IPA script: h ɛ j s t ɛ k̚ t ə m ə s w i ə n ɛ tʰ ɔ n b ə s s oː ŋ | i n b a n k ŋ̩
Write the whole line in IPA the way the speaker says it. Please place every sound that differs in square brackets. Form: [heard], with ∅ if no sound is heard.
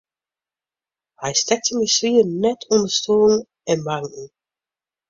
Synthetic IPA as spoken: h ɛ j s t ɛ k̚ t ə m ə s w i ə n ɛ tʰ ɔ n [d] ə s [t] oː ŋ | [ɛ] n b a [ŋ] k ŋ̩